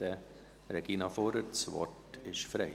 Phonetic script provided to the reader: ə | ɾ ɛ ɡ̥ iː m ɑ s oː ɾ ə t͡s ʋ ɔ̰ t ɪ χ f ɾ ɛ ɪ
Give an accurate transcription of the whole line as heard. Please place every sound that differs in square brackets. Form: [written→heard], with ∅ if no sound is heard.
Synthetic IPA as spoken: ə | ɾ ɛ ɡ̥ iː [m→n] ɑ [s→f] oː ɾ ə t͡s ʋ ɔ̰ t ɪ [χ→ʃ] f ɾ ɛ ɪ